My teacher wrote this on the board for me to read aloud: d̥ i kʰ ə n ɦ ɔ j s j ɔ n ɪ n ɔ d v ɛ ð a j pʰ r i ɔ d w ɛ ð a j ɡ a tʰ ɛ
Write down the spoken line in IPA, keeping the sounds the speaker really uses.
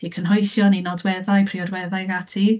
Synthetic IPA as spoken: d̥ i kʰ ə n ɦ ɔ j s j ɔ n i n ɔ d w ɛ ð a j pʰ r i ɔ d w ɛ ð a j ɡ a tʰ i